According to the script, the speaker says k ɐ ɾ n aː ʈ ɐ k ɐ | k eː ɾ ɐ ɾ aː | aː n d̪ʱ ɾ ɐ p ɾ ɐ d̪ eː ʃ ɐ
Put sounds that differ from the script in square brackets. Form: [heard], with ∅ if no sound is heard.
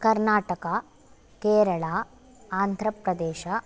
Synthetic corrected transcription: k ɐ ɾ n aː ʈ ɐ k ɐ | k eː ɾ ɐ [ɭ] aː | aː n d̪ʱ ɾ ɐ p ɾ ɐ d̪ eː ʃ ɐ